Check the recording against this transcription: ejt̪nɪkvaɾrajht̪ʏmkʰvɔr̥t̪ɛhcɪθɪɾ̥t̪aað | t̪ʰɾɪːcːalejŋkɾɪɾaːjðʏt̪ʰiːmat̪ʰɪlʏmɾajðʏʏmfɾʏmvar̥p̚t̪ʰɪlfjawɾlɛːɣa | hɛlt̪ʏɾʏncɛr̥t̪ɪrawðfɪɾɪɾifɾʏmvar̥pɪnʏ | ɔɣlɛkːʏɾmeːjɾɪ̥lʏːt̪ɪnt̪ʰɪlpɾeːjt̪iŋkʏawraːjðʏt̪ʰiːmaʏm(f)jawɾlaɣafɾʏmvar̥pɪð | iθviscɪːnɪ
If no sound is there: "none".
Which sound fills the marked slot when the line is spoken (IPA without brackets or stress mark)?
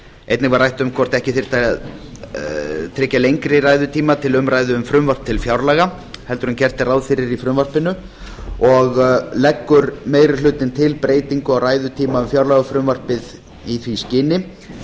f